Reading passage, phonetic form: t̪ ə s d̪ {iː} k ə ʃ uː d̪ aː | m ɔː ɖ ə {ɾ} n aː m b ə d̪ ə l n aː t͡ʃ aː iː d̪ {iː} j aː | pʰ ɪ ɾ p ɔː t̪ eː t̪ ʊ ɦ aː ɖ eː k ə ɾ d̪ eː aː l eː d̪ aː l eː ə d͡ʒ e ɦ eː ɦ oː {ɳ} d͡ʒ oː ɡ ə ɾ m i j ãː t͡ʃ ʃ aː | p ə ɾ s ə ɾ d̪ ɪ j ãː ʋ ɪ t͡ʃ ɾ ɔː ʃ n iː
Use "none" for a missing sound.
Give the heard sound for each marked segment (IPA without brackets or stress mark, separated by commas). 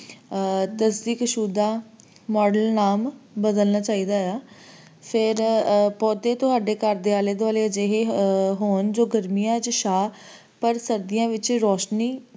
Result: iː, l, aː, n